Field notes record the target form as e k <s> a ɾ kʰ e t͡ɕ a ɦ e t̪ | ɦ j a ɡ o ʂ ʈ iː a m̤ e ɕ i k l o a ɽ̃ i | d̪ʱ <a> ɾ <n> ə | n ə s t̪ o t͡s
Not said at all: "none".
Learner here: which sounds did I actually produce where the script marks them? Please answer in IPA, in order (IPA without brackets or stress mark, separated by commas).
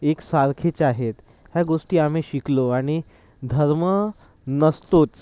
s, ə, m